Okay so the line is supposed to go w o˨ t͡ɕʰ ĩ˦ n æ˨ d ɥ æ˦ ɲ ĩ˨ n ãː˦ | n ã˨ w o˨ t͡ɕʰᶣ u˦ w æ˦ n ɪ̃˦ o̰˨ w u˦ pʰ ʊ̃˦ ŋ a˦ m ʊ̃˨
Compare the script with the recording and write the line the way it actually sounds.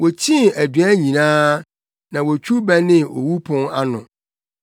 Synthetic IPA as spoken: w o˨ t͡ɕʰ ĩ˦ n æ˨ d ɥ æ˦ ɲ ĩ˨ n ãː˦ | n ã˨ w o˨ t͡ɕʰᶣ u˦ b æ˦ n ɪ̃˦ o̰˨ w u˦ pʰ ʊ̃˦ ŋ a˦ n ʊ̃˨